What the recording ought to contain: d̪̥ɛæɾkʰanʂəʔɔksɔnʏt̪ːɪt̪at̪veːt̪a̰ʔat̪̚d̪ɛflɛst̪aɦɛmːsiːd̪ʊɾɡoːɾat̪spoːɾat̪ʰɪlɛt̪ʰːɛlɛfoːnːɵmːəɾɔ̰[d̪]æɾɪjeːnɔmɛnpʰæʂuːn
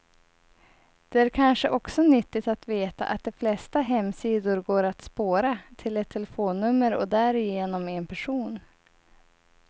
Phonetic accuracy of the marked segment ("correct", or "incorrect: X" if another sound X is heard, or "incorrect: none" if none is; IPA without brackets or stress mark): correct